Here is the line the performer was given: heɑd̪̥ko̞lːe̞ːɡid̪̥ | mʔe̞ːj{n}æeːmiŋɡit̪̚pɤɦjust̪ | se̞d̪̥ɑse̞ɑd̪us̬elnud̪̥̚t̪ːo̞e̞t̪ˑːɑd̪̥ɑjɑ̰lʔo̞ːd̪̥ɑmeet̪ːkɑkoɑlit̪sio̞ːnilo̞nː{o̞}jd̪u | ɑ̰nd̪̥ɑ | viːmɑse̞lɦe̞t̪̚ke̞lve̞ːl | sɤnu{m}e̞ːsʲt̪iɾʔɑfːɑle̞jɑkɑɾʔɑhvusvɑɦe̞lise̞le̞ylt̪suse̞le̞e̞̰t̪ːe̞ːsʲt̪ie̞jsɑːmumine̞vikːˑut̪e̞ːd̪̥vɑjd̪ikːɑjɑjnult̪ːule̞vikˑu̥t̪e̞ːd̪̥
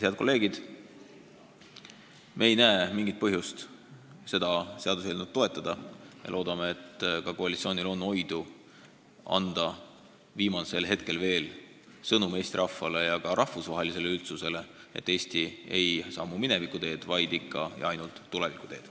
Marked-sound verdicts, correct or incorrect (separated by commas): correct, correct, correct